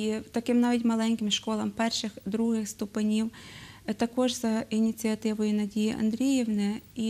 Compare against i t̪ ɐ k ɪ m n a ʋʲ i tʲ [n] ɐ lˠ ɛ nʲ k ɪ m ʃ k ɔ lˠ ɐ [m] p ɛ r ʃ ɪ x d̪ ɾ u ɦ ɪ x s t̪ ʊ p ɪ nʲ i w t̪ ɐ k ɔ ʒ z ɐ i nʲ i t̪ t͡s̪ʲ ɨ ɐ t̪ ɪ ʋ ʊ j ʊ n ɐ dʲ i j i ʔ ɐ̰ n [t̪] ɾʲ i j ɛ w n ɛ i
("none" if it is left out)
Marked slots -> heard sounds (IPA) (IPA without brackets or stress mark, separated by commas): m, m, d̪